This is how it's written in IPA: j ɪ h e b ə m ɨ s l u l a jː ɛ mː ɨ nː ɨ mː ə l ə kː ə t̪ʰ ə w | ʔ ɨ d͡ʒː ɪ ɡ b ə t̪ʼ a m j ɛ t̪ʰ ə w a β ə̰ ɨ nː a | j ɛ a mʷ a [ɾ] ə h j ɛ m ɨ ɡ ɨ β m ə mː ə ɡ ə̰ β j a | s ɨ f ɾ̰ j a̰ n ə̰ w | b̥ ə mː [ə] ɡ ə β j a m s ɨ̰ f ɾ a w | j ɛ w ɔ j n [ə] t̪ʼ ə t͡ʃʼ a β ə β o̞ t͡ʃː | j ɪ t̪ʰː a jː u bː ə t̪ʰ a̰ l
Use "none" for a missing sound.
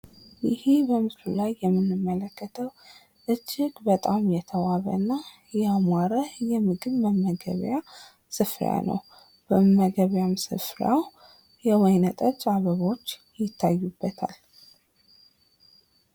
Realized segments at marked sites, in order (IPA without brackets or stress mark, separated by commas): ɾ, ə, ə